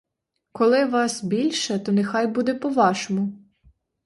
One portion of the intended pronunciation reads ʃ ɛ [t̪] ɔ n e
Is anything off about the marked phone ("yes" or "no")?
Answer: no